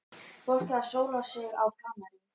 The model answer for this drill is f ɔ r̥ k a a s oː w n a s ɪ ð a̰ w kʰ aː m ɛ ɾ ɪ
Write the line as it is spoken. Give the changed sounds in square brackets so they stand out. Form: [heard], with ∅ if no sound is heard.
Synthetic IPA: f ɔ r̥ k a a s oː w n a s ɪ [ɣ] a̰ w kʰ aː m [a] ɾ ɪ

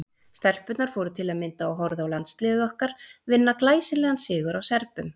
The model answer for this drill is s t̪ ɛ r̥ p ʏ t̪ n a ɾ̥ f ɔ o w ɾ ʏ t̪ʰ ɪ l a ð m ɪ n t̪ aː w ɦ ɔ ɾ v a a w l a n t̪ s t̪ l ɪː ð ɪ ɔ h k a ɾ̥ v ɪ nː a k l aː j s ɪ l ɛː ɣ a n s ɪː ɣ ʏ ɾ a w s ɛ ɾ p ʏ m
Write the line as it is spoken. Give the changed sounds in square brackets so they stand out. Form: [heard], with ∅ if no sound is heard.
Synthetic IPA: s t̪ ɛ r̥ p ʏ t̪ n a ɾ̥ f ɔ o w ɾ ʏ t̪ʰ ɪ l a ð m ɪ n t̪ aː w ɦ ɔ ɾ [ð] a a w l a n t̪ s t̪ l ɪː ð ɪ ɔ h k a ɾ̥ v ɪ nː a k l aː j s ɪ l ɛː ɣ a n s ɪː ɣ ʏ ɾ a w s ɛ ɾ p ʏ m

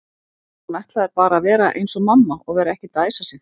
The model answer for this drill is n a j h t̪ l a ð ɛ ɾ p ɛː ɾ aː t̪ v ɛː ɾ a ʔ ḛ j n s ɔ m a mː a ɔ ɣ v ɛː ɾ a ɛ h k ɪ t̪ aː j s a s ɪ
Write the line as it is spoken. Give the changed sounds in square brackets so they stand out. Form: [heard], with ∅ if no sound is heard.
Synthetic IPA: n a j h t̪ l a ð ɛ ɾ p [aː] ɾ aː [∅] v ɛː ɾ a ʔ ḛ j n s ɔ m a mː a ɔ ɣ v ɛː ɾ a ɛ h [c] ɪ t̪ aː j s a s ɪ

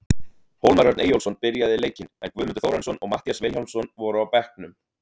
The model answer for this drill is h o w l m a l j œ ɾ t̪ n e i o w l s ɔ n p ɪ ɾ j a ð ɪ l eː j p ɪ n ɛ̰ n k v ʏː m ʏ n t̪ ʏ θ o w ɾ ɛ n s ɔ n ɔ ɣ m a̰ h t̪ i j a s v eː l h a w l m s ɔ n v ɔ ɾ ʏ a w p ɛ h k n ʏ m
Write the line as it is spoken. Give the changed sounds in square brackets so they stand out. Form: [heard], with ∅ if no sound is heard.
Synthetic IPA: h o w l m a [ɾ] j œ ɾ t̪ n e [j] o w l s ɔ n p ɪ ɾ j a ð ɪ l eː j [c] ɪ n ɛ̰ n k v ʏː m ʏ n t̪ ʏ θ o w ɾ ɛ n s ɔ n ɔ ɣ m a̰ h t̪ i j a s v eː l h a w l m s ɔ n v ɔ ɾ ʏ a w p ɛ h k n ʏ m

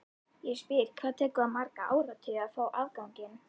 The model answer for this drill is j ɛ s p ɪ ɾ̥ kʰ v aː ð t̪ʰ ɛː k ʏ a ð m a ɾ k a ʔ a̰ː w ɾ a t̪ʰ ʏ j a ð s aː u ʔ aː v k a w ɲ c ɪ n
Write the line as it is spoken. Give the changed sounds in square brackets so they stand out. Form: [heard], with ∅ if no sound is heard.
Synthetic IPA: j ɛ s p ɪ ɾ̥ kʰ v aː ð t̪ʰ ɛː k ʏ a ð m a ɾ k a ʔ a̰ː w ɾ a t̪ʰ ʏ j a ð [f] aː [w] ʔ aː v k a w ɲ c ɪ n

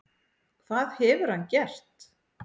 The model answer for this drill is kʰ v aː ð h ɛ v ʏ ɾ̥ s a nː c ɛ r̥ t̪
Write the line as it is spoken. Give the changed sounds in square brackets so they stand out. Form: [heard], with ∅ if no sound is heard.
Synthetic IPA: kʰ v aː ð h ɛ v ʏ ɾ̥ [h] a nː c ɛ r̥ t̪

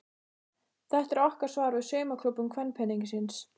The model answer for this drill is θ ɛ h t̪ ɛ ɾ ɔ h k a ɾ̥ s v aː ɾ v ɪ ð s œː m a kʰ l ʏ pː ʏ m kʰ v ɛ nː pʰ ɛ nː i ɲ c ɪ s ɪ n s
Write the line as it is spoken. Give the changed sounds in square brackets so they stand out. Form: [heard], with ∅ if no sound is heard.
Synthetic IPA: θ ɛ h t̪ ɛ ɾ ɔ h k a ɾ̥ s v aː ɾ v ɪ ð s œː m a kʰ l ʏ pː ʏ m kʰ v ɛ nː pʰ ɛ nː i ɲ c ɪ s ɪ n s

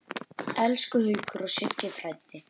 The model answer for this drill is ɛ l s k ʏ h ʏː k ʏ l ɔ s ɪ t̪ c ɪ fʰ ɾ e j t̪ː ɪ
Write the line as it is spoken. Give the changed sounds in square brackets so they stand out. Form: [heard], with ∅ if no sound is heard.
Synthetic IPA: ɛ l s k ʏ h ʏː k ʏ [ɾ] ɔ s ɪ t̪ c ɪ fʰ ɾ [a] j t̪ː ɪ

